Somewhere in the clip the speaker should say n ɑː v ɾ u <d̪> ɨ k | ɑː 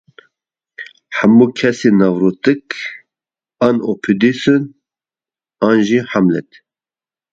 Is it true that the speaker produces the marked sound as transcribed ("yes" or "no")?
no